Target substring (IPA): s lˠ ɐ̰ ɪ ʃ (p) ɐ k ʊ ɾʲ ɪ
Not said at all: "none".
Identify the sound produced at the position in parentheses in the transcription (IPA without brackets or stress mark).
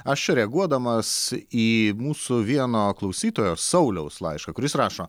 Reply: k